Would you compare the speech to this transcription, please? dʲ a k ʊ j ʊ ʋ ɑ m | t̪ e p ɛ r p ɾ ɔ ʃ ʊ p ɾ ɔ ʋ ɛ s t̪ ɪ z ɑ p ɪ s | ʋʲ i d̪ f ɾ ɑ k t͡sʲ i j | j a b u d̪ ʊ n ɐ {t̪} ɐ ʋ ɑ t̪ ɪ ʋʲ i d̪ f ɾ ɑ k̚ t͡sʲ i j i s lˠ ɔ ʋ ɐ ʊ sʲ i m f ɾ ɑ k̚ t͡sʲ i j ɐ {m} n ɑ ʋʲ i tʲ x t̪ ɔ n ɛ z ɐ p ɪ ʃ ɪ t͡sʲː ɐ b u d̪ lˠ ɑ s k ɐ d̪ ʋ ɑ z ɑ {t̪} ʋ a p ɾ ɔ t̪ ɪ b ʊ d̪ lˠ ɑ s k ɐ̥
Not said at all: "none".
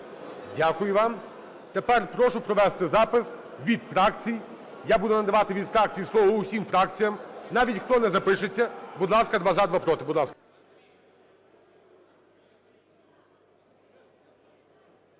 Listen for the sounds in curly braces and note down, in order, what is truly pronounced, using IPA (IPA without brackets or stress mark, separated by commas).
d̪, m, d̪